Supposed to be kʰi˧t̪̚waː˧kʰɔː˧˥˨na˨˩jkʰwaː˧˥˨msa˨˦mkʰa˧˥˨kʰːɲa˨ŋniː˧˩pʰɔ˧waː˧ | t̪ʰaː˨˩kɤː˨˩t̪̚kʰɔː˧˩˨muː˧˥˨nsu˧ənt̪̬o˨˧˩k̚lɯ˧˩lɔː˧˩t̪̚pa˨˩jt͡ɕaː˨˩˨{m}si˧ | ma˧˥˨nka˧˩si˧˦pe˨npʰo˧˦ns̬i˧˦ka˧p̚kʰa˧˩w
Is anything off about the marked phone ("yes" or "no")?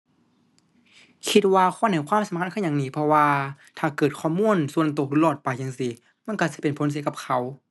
yes